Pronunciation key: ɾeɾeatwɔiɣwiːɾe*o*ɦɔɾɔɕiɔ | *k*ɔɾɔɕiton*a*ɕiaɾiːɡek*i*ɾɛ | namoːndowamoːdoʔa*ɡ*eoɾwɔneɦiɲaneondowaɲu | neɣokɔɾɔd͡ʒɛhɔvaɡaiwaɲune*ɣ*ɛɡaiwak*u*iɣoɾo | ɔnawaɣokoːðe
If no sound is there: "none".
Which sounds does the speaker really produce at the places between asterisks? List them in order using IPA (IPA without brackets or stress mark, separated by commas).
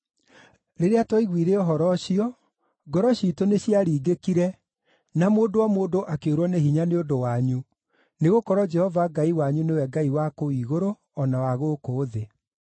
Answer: ɔ, ɡ, e, i, k, w, o